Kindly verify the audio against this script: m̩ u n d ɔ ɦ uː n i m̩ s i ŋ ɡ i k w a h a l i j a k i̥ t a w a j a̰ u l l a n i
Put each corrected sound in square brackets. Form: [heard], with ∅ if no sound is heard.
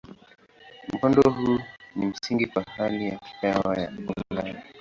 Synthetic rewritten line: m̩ [ɔ] n d ɔ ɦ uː n i m̩ s i ŋ ɡ i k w a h a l i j a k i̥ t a w a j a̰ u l l a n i